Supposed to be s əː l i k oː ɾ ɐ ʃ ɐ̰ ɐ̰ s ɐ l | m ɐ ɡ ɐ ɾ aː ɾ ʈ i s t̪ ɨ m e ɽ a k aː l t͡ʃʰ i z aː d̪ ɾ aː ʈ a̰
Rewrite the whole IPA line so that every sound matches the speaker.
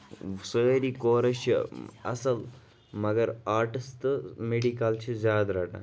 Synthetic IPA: s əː ɾ i k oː ɾ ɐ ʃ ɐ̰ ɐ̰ s ɐ l | m ɐ ɡ ɐ ɾ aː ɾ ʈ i s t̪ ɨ m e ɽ i k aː l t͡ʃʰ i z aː d̪ ɾ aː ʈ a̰